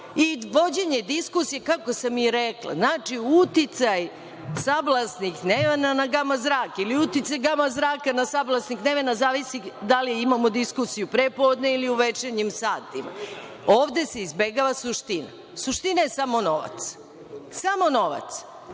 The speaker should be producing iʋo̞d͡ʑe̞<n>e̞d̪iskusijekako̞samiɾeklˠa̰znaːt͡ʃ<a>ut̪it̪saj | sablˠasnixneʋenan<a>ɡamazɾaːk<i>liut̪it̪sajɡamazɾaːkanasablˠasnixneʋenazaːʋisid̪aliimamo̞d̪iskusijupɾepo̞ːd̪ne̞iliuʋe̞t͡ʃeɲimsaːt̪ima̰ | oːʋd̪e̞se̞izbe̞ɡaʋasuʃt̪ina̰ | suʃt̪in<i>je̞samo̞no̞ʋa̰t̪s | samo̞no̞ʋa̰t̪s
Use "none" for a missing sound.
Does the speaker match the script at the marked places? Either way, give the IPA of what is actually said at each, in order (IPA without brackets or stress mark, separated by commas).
ɲ, i, a, i, a